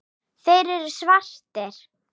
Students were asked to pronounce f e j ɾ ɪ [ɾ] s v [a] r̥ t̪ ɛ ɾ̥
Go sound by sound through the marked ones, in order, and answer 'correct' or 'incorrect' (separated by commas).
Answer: correct, correct